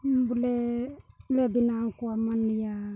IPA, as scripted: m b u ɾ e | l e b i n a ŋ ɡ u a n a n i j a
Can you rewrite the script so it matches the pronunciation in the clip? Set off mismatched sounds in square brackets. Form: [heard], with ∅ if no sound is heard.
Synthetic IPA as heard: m b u [l] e | l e b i n a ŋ [k] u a [m] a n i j a